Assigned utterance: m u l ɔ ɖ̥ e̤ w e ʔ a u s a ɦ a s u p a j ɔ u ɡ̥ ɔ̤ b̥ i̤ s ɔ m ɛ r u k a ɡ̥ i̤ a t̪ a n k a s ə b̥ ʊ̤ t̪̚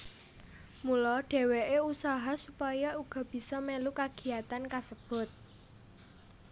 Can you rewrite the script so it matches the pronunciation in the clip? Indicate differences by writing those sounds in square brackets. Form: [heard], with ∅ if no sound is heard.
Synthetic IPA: m u l ɔ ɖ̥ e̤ w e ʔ [e] u s a ɦ a s u p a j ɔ u ɡ̥ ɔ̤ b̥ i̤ s ɔ m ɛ [l] u k a ɡ̥ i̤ a t̪ a n k a s ə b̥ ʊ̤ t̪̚